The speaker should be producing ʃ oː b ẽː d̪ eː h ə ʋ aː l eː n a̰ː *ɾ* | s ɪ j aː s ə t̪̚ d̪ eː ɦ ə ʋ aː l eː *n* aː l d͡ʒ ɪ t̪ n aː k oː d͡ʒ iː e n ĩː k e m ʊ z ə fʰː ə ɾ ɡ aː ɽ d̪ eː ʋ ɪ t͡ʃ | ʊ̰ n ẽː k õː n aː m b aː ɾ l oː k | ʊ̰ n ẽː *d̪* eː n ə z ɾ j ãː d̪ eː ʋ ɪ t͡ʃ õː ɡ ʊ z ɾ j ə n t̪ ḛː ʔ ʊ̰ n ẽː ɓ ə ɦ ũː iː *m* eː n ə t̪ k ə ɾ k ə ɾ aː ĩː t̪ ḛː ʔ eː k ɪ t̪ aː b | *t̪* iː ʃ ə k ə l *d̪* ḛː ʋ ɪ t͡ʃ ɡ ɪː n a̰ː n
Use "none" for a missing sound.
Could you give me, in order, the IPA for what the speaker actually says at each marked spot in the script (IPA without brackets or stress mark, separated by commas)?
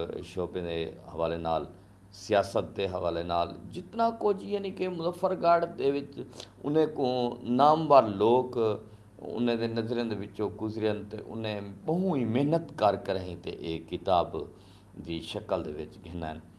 l, n, d̪, m, d̪, d̪